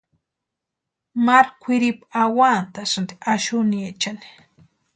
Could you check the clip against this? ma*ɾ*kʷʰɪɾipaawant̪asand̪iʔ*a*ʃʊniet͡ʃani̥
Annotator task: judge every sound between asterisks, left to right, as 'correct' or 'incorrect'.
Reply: correct, correct

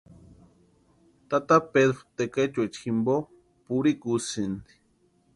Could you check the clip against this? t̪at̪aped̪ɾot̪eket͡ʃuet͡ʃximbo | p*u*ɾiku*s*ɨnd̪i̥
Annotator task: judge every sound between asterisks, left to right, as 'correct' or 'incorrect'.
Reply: correct, correct

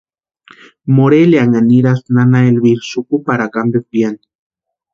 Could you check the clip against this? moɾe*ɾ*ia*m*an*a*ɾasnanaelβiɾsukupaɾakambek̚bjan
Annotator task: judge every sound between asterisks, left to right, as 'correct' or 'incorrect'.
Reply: incorrect: l, incorrect: ŋ, incorrect: i

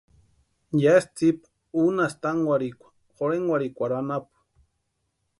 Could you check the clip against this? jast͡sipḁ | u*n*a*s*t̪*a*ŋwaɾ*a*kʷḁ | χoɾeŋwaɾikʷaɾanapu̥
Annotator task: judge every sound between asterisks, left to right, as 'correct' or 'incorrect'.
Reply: correct, correct, correct, incorrect: i

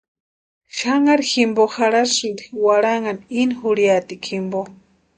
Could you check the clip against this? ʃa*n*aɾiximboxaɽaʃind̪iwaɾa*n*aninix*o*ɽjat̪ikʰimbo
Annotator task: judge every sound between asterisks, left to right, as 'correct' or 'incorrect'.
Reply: incorrect: ŋ, incorrect: ŋ, incorrect: u

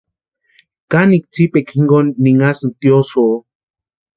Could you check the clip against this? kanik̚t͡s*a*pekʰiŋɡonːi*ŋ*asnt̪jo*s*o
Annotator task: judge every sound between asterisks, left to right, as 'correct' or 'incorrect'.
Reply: incorrect: i, correct, correct

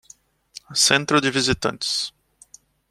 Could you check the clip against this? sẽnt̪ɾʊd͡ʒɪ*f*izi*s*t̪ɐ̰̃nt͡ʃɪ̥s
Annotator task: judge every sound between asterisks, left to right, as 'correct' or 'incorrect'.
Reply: incorrect: v, incorrect: none

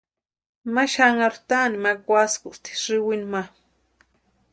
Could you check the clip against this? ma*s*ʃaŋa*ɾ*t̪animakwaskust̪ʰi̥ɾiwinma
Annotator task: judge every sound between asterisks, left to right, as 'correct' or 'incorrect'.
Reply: incorrect: none, correct

